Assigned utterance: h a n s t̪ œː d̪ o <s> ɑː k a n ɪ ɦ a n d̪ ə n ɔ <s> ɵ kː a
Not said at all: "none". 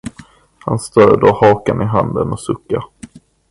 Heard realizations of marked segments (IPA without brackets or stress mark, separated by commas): h, s